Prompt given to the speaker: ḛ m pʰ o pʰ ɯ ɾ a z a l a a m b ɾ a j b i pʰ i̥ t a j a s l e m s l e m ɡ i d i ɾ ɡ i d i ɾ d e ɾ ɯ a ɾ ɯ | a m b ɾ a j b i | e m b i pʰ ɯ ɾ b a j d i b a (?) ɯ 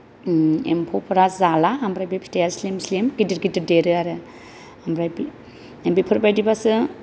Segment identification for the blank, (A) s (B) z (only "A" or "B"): A